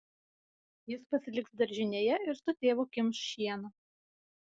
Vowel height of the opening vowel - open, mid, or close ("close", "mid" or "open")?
close